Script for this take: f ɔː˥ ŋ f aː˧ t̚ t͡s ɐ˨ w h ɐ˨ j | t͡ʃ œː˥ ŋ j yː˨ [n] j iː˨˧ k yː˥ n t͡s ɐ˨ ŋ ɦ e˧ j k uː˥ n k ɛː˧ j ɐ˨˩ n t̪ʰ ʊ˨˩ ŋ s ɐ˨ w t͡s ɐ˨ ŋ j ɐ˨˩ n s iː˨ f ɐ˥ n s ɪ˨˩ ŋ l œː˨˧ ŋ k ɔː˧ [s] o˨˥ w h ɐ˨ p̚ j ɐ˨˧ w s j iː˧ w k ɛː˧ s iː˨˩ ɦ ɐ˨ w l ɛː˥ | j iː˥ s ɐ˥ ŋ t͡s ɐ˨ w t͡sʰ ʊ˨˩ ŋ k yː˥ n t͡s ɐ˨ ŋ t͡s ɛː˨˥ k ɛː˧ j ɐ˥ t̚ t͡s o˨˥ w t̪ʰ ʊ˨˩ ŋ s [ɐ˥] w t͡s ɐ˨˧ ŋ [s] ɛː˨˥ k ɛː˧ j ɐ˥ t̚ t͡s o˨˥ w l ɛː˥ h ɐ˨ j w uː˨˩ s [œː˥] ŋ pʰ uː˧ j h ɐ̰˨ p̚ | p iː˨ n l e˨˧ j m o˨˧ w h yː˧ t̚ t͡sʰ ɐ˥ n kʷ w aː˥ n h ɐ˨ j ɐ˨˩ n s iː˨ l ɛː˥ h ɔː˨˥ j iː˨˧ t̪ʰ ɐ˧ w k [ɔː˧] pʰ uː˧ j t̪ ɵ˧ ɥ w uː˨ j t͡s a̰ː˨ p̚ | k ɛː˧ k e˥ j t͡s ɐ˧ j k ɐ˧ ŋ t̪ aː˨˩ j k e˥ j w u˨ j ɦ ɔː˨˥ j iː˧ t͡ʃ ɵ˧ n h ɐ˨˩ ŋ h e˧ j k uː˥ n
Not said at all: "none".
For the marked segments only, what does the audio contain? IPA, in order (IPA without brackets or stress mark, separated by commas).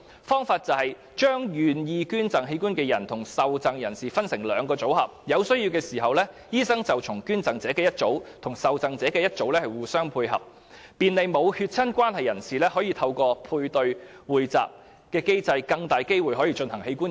n, t͡s, ɐ˨, t͡s, œː˥, ɔː˧